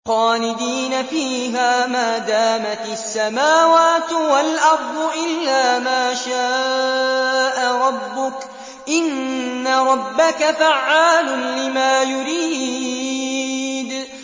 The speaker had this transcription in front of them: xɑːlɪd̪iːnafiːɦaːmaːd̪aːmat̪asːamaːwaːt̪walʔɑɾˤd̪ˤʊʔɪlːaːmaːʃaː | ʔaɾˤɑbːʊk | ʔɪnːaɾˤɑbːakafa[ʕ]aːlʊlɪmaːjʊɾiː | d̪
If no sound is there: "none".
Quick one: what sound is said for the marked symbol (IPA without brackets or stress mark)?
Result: ʕː